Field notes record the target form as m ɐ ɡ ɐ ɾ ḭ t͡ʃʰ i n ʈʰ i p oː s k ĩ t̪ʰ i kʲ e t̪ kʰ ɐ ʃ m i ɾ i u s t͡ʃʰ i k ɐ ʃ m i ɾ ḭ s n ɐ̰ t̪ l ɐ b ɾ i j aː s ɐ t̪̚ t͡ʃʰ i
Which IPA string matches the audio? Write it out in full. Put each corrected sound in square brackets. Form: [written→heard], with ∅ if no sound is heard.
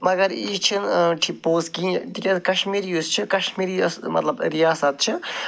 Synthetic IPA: m ɐ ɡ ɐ ɾ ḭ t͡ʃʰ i n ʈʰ i p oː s k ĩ [t̪ʰ→t̪] i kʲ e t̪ [kʰ→k] ɐ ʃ m i ɾ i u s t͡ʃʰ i k ɐ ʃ m i ɾ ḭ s [n→m] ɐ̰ t̪ l ɐ b ɾ i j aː s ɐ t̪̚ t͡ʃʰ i